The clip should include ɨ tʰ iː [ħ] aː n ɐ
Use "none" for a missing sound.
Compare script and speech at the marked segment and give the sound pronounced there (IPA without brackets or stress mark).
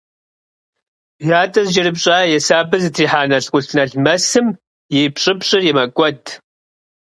ħ